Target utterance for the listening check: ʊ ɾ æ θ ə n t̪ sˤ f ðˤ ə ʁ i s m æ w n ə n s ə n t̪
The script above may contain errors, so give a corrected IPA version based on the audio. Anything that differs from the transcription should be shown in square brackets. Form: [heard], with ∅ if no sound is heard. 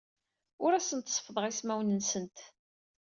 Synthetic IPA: ʊ ɾ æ [s] ə n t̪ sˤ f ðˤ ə ʁ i s m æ w n ə n s ə n t̪